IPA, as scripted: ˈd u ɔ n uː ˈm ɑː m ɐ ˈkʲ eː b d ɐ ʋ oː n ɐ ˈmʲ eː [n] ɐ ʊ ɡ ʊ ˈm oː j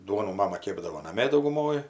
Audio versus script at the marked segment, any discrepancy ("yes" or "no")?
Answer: yes